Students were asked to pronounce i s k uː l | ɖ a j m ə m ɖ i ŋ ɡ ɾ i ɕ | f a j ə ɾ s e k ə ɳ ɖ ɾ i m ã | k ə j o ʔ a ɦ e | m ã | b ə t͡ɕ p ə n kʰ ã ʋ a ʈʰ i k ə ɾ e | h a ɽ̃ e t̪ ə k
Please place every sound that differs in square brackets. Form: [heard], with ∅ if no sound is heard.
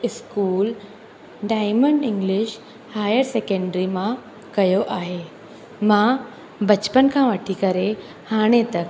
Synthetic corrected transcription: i s k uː l | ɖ a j m ə [ɳ] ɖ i ŋ ɡ [l] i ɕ | [h] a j ə ɾ s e k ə ɳ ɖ ɾ i m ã | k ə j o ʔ a ɦ e | m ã | b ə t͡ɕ p ə n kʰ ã ʋ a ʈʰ i k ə ɾ e | h a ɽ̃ e t̪ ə k